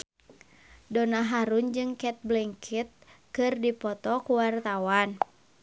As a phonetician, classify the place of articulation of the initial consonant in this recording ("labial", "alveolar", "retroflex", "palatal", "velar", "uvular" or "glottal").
alveolar